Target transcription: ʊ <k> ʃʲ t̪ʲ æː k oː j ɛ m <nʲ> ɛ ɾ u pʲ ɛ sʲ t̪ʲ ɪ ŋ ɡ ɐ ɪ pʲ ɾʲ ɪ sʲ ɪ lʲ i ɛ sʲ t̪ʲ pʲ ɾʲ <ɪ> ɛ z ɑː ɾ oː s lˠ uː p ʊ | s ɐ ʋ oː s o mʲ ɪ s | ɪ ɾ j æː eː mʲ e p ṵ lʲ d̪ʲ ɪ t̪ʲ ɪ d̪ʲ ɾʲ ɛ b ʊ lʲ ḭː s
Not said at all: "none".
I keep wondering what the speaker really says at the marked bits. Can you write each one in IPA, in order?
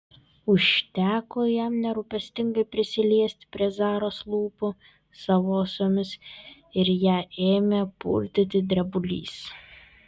none, nʲ, i

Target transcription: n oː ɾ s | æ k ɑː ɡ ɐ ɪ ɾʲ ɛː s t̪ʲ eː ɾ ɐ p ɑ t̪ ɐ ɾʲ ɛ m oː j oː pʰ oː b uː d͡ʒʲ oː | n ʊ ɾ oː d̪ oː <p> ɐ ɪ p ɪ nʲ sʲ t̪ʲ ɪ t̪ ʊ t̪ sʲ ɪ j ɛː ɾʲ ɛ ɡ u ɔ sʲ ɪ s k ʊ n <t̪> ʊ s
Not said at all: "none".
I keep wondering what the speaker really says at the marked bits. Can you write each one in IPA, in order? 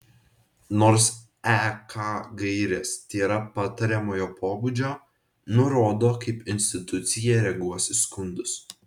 k, d̪

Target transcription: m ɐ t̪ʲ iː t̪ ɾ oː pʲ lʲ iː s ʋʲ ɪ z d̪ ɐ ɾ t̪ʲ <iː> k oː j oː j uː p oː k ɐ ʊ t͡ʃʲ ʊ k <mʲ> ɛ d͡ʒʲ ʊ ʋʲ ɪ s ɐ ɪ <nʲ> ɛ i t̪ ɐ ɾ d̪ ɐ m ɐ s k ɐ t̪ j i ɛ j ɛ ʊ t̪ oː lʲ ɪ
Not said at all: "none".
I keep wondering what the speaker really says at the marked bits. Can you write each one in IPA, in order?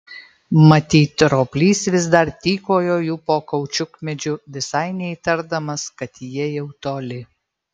iː, mʲ, nʲ

